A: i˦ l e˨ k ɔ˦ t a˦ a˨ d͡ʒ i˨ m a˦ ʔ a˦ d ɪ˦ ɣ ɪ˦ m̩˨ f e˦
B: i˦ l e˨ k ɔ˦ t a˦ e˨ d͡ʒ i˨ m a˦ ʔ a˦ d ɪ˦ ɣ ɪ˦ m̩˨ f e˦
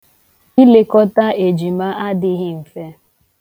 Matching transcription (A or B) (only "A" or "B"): B